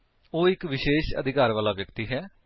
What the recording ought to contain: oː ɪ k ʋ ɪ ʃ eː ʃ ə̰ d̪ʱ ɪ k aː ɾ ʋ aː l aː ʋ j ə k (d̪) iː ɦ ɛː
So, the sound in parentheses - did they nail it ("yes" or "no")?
no